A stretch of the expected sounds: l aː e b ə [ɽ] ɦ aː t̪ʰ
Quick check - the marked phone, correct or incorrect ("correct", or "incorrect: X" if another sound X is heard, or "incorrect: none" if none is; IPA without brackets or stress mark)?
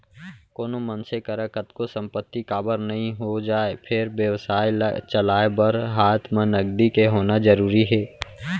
incorrect: ɾ